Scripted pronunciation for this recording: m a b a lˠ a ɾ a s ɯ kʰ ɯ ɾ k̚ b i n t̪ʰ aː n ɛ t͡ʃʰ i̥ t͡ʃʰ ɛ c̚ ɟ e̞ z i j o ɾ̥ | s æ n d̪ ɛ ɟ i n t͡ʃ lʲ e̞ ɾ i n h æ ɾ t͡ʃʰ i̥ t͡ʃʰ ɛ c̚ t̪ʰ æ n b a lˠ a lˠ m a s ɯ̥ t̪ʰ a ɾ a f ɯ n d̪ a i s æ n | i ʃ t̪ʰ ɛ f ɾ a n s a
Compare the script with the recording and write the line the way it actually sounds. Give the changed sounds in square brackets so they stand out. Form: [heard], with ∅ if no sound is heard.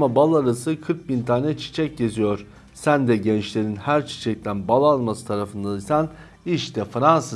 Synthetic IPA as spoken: m a b a lˠ a ɾ a s ɯ kʰ ɯ ɾ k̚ b i n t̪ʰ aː n ɛ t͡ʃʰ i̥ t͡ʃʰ ɛ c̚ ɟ e̞ z i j o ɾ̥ | s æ n d̪ ɛ ɟ [ɛ] n t͡ʃ lʲ e̞ ɾ i n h æ ɾ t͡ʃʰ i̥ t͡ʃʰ ɛ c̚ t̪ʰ æ n b a lˠ a lˠ m a s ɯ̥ t̪ʰ a ɾ a f ɯ n d̪ a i s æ n | i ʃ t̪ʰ ɛ f ɾ a n s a